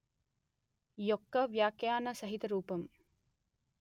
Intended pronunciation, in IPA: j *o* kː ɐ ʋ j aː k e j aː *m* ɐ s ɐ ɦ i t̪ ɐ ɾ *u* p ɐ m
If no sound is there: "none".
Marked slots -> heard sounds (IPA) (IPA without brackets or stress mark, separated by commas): o, n, uː